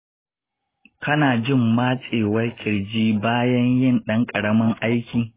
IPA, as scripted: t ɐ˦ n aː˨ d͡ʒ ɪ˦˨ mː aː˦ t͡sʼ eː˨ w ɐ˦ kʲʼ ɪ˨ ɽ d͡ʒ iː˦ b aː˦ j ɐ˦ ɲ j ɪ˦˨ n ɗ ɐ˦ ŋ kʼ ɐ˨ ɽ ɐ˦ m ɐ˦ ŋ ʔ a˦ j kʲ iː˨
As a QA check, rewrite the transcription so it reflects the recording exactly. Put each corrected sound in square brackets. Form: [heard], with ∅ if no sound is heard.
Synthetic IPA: [k] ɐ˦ n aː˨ d͡ʒ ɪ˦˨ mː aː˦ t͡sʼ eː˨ w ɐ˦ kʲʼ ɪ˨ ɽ d͡ʒ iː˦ b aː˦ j ɐ˦ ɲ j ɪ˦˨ n ɗ ɐ˦ ŋ kʼ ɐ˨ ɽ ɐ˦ m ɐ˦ ŋ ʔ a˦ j kʲ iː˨